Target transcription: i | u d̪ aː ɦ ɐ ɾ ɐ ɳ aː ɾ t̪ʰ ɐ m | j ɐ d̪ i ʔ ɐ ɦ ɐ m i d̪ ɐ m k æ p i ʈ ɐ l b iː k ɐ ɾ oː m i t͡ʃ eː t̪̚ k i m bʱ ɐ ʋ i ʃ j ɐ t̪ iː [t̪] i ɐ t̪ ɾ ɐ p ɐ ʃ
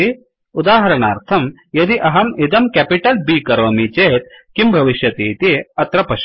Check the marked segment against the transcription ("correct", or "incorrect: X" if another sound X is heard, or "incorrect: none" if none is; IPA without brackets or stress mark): correct